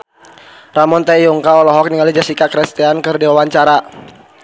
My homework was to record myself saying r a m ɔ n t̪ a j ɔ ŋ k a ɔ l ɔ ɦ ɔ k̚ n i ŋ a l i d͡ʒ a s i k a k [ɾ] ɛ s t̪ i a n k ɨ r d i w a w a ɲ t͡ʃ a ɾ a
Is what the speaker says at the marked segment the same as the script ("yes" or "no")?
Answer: yes